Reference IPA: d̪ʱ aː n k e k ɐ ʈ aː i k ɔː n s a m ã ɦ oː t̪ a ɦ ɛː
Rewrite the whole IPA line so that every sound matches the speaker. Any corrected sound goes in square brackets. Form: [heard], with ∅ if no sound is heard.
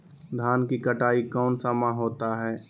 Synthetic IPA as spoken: d̪ʱ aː n k [i] k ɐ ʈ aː i k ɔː n s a m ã ɦ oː t̪ a ɦ ɛː